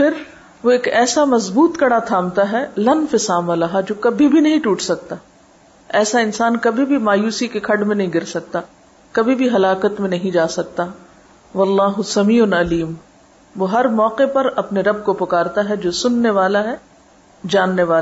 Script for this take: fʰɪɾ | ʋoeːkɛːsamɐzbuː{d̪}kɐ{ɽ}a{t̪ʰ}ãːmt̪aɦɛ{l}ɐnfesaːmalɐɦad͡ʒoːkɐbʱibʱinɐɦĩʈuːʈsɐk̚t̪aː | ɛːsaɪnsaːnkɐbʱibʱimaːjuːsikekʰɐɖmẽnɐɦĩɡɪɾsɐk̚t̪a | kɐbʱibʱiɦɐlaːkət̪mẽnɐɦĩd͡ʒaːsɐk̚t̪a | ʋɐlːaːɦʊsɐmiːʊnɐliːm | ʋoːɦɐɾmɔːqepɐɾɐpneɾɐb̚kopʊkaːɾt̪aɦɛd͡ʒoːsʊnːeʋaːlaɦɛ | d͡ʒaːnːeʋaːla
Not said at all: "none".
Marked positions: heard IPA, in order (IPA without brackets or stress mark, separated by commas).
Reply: t̪, ɽ, t̪ʰ, l